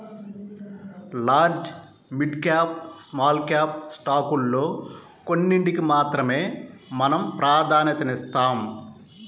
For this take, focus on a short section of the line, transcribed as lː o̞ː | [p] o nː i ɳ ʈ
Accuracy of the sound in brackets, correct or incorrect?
incorrect